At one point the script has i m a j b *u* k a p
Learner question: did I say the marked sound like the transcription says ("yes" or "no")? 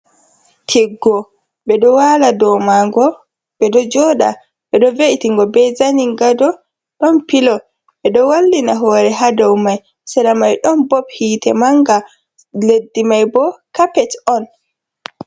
no